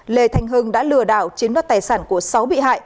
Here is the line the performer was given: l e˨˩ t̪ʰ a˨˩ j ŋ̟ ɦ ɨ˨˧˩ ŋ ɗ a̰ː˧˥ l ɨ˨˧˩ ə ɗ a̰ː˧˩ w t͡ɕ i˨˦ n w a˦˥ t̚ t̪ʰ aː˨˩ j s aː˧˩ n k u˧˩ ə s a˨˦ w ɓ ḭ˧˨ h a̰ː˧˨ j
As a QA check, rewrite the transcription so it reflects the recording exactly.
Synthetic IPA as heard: l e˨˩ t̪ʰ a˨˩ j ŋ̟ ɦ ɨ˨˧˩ ŋ ɗ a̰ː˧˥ l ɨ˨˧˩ ə ɗ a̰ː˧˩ w t͡ɕ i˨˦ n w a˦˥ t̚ t̪ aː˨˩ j s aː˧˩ n k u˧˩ ə s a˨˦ w ɓ ḭ˧˨ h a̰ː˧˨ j